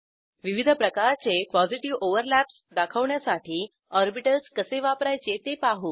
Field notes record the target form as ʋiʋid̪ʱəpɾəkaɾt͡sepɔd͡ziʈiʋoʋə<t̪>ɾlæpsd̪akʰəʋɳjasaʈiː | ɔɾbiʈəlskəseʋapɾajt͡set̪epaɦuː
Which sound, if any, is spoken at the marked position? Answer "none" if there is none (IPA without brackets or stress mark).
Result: none